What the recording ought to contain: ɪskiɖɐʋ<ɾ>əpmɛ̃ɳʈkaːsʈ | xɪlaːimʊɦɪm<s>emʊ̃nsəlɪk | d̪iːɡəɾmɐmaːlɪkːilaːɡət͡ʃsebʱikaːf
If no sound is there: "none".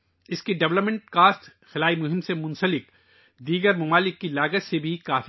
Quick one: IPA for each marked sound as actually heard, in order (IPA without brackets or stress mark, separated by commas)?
l, s